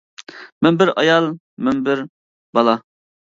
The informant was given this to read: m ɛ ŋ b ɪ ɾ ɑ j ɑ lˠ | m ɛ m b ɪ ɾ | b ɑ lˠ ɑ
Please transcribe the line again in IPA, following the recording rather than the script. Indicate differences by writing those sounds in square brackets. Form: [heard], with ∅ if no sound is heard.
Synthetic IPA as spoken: m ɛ [m] b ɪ ɾ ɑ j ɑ lˠ | m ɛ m b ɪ ɾ | b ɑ lˠ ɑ